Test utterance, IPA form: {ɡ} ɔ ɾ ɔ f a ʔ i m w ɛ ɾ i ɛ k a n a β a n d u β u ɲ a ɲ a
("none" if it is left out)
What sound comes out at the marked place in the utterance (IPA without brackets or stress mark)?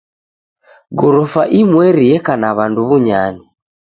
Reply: ɡ